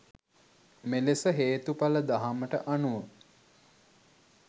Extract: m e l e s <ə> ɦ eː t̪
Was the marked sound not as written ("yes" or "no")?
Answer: no